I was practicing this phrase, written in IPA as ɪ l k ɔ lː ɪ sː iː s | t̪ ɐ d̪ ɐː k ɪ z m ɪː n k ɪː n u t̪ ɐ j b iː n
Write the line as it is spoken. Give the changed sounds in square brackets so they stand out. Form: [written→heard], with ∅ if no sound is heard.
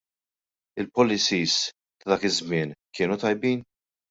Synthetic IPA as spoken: ɪ l [k→p] ɔ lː ɪ [sː→s] iː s | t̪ ɐ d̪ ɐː k ɪ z m ɪː n k ɪː n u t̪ ɐ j b iː n